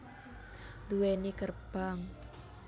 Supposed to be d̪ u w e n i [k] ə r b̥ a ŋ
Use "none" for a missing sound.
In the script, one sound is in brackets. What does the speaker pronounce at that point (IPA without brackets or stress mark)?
k